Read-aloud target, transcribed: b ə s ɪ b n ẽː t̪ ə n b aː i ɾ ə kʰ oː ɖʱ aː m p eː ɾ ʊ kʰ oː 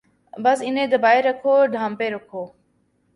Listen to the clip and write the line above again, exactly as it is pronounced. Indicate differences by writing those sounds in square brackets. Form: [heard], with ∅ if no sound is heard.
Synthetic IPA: b ə s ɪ [∅] n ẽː [d̪] ə [∅] b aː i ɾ ə kʰ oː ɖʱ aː m p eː ɾ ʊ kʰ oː